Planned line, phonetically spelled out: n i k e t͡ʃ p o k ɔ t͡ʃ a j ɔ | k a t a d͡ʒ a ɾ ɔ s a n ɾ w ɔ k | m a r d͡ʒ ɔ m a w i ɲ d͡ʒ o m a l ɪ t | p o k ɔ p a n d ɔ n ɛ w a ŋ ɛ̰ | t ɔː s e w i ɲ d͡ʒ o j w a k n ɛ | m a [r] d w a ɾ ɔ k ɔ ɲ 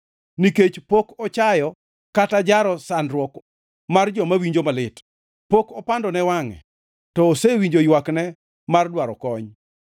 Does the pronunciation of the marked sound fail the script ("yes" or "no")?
no